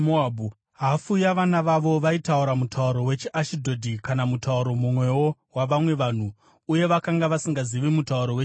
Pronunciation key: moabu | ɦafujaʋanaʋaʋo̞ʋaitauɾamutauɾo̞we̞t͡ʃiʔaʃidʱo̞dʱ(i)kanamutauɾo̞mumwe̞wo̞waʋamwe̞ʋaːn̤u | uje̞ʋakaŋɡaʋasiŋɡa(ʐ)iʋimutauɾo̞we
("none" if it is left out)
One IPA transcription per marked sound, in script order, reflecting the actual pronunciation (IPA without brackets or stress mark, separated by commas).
i, z